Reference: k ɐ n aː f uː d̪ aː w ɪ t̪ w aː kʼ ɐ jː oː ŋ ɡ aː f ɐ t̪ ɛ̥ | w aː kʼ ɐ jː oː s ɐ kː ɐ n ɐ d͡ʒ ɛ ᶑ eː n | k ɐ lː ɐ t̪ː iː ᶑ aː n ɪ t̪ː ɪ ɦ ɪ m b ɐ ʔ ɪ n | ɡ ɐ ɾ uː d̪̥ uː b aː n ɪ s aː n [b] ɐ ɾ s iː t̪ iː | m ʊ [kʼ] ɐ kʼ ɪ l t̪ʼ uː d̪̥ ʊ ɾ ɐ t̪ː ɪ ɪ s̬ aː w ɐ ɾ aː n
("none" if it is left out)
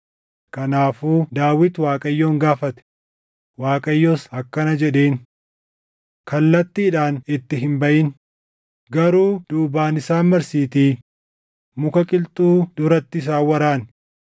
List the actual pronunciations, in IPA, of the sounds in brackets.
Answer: m, k

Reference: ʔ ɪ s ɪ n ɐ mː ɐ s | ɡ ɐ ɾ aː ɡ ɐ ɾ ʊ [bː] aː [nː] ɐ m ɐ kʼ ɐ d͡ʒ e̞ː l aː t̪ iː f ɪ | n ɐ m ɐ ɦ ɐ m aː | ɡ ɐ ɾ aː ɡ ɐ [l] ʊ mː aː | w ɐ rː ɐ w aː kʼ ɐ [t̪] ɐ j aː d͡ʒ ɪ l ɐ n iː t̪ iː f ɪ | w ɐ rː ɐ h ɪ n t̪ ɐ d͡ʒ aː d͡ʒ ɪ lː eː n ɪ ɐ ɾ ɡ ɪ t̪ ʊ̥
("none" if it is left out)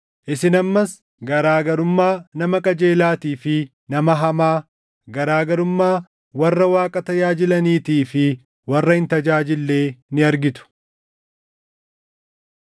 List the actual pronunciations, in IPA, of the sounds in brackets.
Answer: mː, n, ɾ, t̪

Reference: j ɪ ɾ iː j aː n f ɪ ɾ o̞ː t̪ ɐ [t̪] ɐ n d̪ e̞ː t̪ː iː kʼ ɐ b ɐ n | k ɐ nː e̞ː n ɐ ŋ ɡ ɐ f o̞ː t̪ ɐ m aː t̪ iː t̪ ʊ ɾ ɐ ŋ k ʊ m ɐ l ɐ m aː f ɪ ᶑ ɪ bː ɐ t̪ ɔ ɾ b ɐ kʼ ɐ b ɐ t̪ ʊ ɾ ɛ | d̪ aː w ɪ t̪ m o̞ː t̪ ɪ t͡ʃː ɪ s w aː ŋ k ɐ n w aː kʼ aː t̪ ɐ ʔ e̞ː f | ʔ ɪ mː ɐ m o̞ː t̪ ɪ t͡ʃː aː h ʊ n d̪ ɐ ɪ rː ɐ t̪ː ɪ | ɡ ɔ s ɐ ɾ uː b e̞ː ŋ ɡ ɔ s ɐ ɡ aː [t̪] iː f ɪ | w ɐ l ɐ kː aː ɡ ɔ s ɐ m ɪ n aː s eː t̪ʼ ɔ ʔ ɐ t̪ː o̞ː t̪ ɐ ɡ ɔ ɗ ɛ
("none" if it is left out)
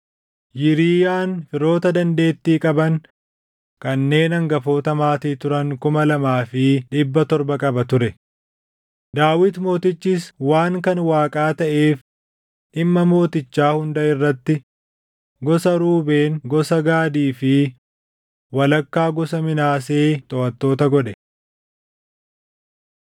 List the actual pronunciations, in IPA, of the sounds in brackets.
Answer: d̪, d̪

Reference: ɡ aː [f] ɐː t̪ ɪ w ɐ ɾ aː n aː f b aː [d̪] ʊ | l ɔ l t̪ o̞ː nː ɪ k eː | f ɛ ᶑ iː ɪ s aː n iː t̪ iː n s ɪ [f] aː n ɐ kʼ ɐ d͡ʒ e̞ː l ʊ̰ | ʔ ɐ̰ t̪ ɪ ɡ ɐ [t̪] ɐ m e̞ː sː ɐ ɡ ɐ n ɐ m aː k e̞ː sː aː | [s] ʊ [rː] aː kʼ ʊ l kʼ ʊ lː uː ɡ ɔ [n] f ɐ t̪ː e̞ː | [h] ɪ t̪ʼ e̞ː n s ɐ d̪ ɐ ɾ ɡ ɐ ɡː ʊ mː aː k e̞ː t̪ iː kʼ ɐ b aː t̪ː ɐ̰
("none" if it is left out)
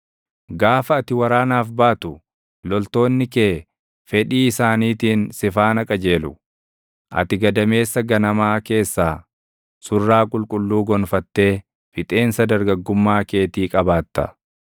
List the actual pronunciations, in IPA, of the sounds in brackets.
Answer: f, t̪, f, d̪, s, rː, n, f

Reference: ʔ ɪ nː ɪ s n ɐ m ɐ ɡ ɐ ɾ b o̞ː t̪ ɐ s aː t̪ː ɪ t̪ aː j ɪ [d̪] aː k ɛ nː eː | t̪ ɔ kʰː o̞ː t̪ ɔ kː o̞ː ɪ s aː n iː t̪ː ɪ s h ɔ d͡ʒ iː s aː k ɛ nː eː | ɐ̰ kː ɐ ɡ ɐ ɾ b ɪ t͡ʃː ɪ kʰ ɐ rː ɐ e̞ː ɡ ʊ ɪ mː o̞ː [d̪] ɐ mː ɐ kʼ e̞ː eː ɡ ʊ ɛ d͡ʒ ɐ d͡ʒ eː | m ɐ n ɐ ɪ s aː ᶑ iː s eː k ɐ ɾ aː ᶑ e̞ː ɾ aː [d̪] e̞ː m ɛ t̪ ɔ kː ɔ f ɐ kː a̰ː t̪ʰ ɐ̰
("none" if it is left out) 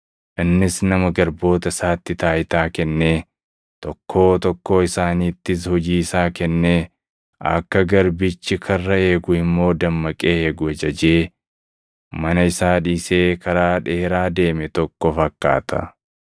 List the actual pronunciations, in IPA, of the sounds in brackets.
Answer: t̪, d̪, d̪

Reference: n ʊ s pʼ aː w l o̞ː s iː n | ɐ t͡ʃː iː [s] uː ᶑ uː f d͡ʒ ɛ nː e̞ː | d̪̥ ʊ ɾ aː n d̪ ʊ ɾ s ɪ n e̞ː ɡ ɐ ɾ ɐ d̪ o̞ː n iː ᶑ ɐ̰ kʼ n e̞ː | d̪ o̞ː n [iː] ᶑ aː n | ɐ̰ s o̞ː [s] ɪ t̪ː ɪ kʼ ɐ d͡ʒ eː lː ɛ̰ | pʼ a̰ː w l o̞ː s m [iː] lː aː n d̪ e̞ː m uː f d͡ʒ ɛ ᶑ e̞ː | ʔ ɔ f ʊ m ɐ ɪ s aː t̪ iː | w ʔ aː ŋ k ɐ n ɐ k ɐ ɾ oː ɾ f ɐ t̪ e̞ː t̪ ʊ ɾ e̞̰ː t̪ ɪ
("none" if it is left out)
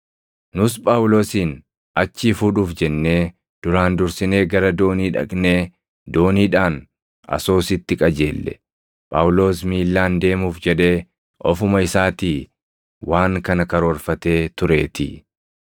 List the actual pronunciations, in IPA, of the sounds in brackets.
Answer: f, iː, s, iː

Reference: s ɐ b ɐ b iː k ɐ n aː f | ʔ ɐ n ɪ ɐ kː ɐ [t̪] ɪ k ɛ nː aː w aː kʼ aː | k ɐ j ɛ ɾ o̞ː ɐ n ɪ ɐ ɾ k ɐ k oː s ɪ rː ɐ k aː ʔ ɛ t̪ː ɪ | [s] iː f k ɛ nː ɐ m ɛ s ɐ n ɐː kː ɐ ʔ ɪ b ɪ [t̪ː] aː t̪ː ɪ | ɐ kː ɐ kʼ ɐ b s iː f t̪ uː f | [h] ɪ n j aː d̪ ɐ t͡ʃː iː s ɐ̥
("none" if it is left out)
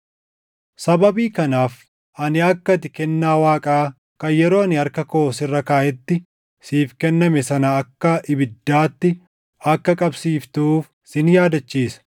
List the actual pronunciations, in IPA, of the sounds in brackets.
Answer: t̪, s, d̪ː, s

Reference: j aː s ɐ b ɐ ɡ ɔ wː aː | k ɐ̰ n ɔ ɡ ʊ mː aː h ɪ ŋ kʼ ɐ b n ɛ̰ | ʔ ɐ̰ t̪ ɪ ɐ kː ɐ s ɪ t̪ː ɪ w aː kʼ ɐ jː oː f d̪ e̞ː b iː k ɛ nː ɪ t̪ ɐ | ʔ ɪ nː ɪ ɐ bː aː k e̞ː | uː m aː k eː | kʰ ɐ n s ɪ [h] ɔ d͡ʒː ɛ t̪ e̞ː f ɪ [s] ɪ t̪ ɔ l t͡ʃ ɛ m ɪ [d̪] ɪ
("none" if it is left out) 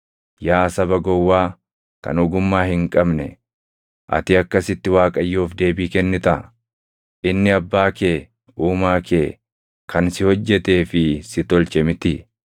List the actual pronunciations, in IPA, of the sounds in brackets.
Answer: h, s, t̪

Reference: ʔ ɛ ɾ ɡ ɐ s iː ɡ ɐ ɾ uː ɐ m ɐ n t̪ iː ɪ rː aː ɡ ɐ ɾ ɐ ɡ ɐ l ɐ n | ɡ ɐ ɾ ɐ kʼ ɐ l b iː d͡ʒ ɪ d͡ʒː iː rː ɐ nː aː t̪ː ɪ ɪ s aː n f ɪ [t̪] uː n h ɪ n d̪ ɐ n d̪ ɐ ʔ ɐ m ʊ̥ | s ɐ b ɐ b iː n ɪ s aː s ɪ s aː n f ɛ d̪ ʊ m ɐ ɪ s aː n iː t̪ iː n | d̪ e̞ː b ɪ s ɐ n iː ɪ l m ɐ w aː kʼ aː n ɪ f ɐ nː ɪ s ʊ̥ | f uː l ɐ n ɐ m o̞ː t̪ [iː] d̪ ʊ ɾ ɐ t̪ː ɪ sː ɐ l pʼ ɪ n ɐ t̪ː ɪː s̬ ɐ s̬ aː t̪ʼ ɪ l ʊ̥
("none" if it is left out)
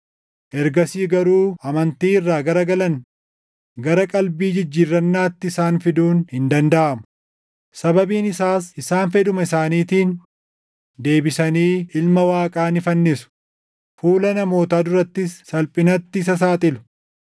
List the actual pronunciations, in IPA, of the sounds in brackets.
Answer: d̪, aː

